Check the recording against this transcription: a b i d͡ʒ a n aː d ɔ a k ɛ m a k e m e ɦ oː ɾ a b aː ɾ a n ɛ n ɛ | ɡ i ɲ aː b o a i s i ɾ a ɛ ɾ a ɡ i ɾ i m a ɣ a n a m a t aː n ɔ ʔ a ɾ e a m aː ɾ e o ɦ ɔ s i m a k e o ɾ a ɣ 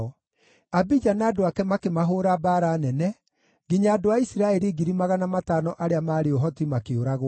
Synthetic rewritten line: a b i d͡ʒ a n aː d o a k ɛ m a k e m a ɦ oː ɾ a b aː ɾ a n ɛ n ɛ | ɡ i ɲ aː d o a i s i ɾ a ɛ ɾ i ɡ i ɾ i m a ɣ a n a m a t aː n ɔ ʔ a ɾ e a m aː ɾ e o ɦ ɔ t i m a k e o ɾ a ɣ